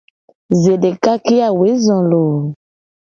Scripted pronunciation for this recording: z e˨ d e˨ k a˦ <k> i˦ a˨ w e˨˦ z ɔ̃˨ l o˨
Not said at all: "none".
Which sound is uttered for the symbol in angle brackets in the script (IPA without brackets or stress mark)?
k